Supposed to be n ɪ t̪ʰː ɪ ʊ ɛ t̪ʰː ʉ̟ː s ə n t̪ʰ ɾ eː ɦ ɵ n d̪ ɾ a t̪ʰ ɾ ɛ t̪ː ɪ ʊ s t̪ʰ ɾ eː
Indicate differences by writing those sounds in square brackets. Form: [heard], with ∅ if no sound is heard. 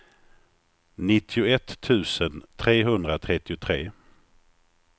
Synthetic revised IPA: n ɪ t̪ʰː ɪ ʊ ɛ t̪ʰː ʉ̟ː s ə n t̪ʰ ɾ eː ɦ ɵ n d̪ ɾ a t̪ʰ ɾ ɛ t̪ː ɪ ʊ [∅] t̪ʰ ɾ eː